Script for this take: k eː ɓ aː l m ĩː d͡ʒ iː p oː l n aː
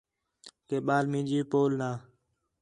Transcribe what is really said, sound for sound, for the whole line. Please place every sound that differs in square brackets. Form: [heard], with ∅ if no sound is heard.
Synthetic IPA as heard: k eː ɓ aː l m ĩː d͡ʒ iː p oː l n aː